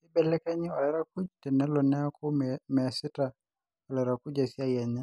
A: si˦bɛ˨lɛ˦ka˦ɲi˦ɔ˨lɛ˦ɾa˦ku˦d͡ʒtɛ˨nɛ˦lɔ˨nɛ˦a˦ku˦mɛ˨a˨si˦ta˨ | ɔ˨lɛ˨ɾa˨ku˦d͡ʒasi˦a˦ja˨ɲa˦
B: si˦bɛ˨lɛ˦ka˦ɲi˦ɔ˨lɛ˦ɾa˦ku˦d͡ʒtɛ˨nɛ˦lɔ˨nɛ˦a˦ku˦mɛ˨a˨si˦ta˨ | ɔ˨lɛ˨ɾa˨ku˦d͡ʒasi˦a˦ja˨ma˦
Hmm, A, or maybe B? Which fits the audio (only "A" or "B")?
A